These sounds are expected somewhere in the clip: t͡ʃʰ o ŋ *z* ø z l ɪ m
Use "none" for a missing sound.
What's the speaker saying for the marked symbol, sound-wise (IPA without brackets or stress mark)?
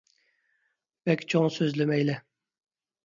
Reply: s